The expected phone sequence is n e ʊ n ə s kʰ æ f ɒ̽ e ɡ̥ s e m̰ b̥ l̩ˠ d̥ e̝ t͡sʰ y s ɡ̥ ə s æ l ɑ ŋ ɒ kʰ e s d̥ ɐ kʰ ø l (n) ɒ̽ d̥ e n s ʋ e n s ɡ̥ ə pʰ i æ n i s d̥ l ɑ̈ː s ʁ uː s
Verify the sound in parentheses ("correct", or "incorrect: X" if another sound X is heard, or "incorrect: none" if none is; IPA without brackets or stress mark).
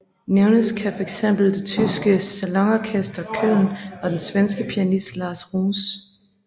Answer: correct